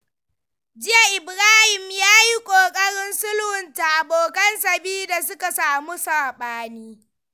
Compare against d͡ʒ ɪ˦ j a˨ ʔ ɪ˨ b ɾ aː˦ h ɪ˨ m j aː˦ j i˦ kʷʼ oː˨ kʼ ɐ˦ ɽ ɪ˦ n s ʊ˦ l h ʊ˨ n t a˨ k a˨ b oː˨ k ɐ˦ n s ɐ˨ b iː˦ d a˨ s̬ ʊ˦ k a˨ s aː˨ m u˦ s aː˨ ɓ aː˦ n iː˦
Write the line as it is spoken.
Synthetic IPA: d͡ʒ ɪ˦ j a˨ ʔ ɪ˨ b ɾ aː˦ h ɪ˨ m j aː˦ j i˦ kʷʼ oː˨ kʼ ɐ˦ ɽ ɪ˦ n s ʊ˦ l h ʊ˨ n t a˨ ʔ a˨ b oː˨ k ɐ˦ n s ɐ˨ b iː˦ d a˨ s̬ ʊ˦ k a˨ s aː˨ m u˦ s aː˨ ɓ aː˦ n iː˦

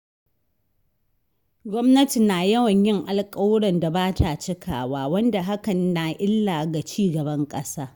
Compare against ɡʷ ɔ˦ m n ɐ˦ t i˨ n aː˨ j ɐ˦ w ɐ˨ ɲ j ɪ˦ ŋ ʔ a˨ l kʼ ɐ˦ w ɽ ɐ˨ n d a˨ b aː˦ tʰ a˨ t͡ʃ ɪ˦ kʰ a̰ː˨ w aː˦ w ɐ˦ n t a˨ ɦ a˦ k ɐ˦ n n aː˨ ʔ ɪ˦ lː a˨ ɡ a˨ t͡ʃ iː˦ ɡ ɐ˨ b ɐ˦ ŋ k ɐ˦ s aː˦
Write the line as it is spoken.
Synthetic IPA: ɡʷ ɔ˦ m n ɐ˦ t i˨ n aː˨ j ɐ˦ w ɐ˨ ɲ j ɪ˦ ŋ ʔ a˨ l kʼ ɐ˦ w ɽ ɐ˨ n d a˨ b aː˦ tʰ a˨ t͡ʃ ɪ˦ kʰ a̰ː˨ w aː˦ w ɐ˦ n d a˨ ɦ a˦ k ɐ˨ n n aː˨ ʔ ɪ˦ lː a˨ ɡ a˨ t͡ʃ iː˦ ɡ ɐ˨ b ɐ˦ ŋ kʼ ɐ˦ s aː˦

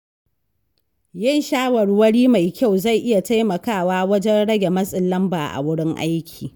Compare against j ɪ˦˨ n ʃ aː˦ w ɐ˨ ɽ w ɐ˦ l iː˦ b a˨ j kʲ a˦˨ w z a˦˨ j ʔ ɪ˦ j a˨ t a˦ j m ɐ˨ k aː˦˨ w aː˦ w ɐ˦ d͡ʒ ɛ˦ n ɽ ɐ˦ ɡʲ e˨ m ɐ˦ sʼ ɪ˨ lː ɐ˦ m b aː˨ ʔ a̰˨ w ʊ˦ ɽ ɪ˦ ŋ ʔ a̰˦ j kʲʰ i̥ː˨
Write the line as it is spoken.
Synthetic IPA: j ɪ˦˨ n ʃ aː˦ w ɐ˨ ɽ w ɐ˦ ɽ iː˦ m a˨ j kʲ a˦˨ w z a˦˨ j ʔ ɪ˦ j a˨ t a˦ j m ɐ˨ k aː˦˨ w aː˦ w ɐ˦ d͡ʒ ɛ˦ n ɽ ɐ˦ ɡʲ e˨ m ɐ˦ sʼ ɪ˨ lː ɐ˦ m b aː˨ ʔ a̰˨ w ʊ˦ ɽ ɪ˦ ŋ ʔ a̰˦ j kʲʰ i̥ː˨

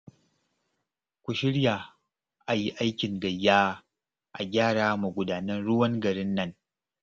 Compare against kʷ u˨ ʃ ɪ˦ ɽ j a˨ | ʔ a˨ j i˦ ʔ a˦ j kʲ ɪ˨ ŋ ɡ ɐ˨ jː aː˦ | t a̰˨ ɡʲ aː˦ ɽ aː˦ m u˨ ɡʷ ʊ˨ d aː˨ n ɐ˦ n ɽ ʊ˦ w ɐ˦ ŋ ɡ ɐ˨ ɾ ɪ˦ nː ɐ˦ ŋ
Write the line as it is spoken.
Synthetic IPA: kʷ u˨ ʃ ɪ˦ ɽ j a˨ | ʔ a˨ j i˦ ʔ a˦ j kʲ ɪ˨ ŋ ɡ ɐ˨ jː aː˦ | ʔ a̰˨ ɡʲ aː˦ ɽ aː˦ m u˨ ɡʷ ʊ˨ d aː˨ n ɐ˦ n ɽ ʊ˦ w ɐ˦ ŋ ɡ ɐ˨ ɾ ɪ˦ nː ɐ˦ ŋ

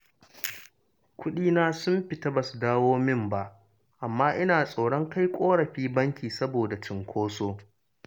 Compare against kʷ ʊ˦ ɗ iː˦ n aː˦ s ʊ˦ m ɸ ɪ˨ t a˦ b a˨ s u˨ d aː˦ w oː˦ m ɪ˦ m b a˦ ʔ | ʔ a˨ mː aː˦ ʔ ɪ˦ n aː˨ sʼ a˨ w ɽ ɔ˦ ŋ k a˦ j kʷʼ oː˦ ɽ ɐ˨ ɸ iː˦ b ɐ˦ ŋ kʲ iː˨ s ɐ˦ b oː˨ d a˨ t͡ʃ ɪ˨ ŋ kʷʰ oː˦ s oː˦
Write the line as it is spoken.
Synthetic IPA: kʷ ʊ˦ ɗ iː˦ n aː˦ s ʊ˦ m ɸ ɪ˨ t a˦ b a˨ s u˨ d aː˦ w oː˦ m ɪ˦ m b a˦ ʔ | ʔ a˨ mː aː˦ ʔ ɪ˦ n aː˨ sʼ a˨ w ɽ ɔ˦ ŋ k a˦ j kʷʼ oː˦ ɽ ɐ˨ ɸ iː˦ b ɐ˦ ŋ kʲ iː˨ s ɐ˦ b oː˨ d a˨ t͡ʃ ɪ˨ ŋ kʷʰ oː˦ s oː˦

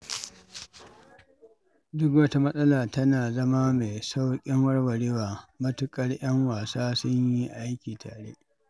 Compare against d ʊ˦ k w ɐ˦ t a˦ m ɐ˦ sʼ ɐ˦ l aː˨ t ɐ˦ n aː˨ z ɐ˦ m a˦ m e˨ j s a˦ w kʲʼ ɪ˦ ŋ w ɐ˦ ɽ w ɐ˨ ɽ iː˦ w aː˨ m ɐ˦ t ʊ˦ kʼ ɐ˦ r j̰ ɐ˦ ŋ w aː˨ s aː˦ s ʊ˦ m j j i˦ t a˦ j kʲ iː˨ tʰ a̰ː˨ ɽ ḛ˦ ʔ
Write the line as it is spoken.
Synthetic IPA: d ʊ˦ k w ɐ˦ t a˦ m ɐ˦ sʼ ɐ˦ l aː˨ t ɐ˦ n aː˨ z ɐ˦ m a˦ m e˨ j s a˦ w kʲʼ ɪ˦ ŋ w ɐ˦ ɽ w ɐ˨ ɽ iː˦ w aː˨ m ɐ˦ t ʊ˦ kʼ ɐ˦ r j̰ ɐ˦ ŋ w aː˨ s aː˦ s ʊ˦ ɲ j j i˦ ʔ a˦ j kʲ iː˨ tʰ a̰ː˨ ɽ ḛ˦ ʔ

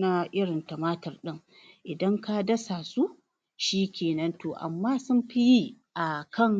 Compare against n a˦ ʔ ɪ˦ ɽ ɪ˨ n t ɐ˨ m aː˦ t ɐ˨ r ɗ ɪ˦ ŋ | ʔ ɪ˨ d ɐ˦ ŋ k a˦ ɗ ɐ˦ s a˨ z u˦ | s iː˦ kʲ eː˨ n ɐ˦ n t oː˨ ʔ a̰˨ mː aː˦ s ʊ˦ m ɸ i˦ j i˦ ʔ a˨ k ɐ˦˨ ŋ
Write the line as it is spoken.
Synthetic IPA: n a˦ ʔ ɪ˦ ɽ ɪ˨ n t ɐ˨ m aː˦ t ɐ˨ r ɗ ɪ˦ ŋ | ʔ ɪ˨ d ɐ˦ ŋ k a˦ d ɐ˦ s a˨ s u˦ | ʃ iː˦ kʲ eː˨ n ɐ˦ n t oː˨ ʔ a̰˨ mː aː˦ s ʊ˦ m ɸ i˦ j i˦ ʔ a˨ k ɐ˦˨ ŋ

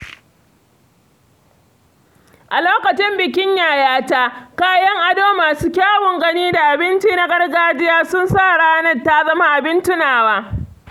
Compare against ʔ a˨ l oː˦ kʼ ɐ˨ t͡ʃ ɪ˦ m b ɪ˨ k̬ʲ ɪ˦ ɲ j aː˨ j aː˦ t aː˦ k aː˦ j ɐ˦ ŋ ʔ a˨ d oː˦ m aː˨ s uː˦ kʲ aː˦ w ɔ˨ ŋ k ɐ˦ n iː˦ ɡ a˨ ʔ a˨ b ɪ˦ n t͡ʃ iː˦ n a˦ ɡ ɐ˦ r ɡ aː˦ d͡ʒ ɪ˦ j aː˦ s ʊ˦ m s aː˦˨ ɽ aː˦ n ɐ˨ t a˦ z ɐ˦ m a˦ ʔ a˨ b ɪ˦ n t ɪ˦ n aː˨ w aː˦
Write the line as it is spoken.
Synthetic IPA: ʔ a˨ l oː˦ k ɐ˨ t͡ʃ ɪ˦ m b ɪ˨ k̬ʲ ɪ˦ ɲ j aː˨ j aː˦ t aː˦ k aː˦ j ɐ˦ ŋ ʔ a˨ d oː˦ m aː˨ s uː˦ kʲ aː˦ w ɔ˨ ŋ ɡ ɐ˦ n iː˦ d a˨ ʔ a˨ b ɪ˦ n t͡ʃ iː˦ n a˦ ɡ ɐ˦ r ɡ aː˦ d͡ʒ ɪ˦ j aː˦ s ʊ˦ n s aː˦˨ ɽ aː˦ n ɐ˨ t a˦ z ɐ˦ m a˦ ʔ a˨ b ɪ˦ n t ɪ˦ n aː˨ w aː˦

